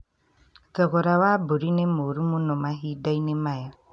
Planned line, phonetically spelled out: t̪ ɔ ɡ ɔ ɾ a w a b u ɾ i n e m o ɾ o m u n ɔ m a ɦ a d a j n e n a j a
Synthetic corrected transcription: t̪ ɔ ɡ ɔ ɾ a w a b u ɾ i n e m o ɾ u m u n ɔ m a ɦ i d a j n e m a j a